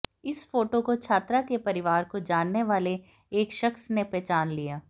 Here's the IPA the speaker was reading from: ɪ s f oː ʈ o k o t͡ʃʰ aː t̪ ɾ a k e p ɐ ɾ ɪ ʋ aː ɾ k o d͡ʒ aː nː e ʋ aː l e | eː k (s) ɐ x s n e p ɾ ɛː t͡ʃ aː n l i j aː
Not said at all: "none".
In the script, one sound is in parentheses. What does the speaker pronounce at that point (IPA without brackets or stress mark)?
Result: ʃ